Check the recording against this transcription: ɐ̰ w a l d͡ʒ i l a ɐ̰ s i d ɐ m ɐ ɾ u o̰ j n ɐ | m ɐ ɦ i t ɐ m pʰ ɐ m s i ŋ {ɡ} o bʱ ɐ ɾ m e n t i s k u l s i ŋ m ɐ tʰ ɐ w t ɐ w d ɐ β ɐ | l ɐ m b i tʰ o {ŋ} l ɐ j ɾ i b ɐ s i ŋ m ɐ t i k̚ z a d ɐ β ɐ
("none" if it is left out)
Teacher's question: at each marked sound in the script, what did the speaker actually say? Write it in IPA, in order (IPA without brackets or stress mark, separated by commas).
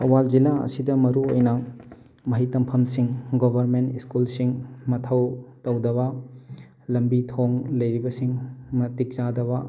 ɡ, ŋ